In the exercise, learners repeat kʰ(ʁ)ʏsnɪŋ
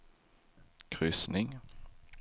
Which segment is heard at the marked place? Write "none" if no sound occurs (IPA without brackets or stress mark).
ʁ